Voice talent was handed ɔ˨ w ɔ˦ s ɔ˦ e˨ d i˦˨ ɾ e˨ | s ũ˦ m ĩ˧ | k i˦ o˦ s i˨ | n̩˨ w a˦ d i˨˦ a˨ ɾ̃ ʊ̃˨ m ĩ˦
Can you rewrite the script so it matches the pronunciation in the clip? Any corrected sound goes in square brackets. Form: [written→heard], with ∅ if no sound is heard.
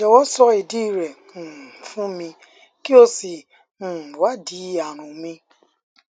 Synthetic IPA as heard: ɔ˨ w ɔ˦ s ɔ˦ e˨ d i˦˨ ɾ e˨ | [s→f] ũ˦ m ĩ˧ | k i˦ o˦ s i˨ | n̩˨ w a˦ d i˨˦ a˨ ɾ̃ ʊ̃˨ m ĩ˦